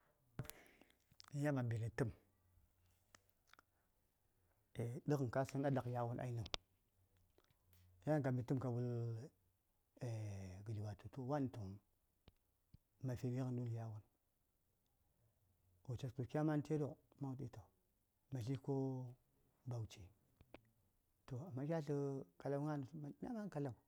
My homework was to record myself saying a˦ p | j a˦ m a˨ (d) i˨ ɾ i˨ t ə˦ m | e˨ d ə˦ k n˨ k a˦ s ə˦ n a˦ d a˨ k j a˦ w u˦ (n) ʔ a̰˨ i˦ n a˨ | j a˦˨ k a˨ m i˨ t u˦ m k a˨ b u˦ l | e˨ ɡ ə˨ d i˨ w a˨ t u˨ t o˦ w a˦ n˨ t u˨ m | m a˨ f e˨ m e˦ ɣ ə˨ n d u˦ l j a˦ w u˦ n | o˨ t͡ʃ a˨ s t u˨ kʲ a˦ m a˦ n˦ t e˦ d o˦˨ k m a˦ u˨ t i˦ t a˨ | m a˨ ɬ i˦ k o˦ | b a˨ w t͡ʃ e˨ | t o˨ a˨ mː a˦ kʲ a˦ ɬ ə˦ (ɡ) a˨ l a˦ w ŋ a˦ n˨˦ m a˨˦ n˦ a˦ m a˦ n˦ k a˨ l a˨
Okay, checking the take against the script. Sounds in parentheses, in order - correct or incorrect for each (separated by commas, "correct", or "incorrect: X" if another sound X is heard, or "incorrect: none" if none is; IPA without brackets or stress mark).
incorrect: b, correct, incorrect: k